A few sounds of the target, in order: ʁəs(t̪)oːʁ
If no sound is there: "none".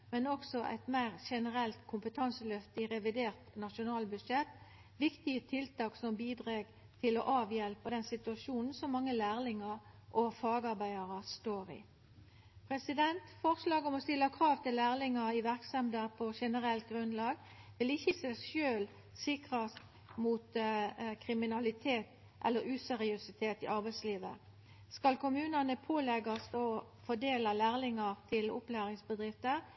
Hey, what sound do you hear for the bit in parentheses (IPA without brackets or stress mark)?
t̪